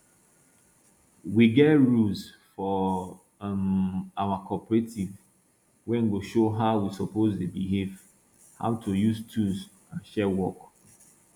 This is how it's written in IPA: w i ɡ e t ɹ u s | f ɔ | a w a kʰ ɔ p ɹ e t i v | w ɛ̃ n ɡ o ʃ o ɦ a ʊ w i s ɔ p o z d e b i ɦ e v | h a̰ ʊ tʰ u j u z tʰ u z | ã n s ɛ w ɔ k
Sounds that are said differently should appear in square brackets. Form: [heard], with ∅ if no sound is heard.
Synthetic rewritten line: w i ɡ [ɛ] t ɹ u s | f ɔ | a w a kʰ ɔ p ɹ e t i v | w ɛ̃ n ɡ o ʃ o ɦ a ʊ w i s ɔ p o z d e b i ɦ e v | h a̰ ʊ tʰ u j u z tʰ u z | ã n [ʃ] ɛ w ɔ k